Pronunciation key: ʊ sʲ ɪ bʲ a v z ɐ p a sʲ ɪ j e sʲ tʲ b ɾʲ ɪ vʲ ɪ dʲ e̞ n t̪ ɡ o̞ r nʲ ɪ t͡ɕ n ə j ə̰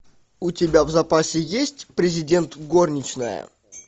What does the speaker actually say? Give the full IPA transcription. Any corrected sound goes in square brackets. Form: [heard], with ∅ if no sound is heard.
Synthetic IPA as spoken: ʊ [tʲ] ɪ bʲ a v z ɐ p a sʲ ɪ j e sʲ tʲ [p] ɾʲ ɪ [zʲ] ɪ dʲ e̞ n t̪ ɡ o̞ r nʲ ɪ t͡ɕ n ə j ə̰